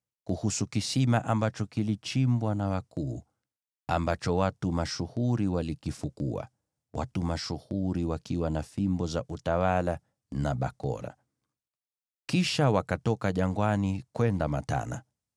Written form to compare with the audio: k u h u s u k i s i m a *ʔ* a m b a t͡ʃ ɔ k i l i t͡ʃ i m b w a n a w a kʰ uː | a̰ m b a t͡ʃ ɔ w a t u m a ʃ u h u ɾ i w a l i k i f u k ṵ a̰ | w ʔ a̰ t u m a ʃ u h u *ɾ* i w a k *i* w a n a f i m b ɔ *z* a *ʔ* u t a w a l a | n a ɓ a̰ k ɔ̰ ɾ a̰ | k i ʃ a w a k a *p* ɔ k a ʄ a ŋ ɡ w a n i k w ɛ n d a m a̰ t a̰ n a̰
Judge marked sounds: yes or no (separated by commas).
yes, yes, yes, yes, yes, no